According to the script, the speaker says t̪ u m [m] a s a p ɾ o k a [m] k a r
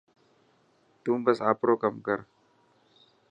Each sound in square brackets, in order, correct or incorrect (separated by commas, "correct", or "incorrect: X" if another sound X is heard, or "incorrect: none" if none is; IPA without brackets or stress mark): incorrect: b, correct